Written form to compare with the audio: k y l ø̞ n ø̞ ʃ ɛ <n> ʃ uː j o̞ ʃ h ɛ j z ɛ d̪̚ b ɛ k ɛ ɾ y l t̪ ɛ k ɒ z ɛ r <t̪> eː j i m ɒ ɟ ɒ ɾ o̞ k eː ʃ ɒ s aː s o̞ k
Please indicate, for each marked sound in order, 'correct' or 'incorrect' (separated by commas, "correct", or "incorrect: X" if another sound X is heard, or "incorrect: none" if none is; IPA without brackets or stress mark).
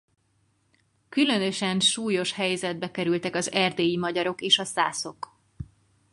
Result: correct, incorrect: d̪